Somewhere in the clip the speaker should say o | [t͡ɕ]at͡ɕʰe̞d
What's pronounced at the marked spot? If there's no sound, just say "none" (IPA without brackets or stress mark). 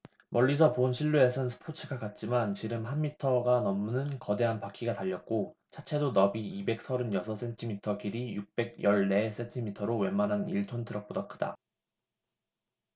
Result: t͡ɕʰ